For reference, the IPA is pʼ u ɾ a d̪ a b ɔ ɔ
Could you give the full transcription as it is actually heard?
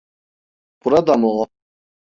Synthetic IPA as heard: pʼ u ɾ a d̪ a m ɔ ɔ